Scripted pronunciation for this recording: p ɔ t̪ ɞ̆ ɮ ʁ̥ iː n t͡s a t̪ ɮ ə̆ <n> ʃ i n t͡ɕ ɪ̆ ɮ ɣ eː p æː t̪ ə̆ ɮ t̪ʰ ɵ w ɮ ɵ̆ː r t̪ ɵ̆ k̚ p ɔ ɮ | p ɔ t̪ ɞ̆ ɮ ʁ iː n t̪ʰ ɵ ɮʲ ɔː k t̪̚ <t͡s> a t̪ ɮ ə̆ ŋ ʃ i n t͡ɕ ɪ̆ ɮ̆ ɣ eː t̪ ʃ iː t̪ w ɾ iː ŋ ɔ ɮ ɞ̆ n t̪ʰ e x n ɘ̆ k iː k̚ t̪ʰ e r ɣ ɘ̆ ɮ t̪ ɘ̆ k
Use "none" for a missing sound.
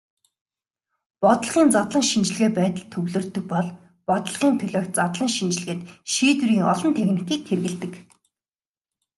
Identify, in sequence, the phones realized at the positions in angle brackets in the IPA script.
ŋ, t͡s

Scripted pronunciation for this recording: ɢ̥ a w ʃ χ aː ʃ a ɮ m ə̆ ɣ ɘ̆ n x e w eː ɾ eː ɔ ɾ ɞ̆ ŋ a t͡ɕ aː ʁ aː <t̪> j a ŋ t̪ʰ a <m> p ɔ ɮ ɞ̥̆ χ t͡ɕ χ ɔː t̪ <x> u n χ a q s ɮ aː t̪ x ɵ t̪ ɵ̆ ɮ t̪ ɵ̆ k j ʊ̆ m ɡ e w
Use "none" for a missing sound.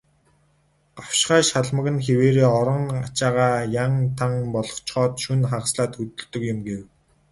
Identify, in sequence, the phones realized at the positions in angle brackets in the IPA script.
none, ŋ, ʃ

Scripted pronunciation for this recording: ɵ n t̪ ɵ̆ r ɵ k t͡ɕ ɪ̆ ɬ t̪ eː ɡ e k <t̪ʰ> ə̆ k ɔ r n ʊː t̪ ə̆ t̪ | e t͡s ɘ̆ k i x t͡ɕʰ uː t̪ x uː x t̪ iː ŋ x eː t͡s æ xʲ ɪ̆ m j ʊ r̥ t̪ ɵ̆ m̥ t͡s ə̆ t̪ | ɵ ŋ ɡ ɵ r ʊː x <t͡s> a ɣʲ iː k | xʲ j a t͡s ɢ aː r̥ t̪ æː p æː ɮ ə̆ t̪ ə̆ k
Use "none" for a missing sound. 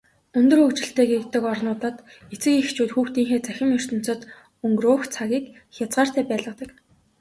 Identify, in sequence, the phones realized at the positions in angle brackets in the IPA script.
t̪, t͡sʰ

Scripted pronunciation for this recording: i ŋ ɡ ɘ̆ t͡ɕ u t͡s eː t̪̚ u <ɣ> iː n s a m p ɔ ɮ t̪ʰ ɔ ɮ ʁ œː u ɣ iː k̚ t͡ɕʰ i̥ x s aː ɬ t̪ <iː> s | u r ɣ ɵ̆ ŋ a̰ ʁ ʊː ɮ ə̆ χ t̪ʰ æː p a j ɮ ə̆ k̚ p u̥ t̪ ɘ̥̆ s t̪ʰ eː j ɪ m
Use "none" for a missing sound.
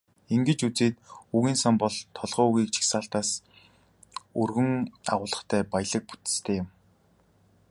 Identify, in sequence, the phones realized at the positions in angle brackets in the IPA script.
ɣ, aː

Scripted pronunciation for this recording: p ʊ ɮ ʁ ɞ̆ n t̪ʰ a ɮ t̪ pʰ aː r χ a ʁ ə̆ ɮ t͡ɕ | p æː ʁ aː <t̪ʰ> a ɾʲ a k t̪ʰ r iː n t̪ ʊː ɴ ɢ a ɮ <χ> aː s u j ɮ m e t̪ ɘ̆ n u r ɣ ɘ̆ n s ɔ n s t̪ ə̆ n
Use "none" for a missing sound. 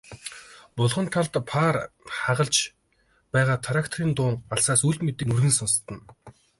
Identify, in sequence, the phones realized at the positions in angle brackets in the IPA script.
t̪ʰ, s

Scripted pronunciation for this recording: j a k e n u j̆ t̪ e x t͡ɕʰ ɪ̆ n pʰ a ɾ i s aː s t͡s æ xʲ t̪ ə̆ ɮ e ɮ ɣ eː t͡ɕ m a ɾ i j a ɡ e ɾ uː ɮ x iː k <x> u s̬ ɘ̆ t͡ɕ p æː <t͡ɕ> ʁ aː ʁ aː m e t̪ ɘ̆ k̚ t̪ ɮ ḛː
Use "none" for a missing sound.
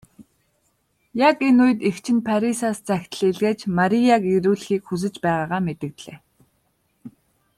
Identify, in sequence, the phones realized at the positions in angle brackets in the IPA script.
x, none

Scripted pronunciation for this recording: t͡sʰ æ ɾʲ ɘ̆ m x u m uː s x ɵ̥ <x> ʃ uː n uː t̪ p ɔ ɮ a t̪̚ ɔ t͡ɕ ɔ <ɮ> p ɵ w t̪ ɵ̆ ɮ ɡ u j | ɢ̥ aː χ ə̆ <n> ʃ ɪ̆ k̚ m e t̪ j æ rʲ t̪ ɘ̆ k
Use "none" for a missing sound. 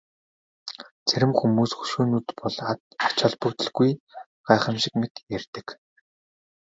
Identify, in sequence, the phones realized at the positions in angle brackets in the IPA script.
none, ɮ, m

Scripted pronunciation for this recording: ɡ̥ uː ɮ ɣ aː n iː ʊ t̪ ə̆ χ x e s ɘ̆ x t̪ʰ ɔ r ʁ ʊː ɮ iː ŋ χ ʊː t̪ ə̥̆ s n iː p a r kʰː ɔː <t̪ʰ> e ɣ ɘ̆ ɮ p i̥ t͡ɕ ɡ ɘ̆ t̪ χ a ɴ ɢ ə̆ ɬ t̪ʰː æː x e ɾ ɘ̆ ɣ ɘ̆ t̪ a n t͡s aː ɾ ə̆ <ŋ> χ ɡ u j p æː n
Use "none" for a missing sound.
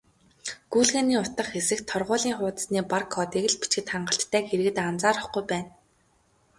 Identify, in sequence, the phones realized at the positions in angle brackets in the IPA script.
t̪, none

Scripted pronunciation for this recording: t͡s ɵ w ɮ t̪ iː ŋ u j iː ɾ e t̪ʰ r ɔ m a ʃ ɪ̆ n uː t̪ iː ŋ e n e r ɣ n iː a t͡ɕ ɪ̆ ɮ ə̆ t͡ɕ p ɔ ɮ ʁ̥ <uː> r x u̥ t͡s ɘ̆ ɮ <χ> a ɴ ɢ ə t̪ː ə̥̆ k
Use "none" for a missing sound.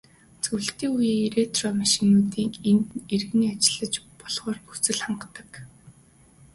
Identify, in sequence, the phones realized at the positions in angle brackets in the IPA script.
ɔː, χ

